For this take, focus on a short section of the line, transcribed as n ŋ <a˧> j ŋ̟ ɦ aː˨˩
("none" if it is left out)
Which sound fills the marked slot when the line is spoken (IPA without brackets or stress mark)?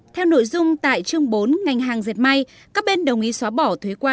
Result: a˨˩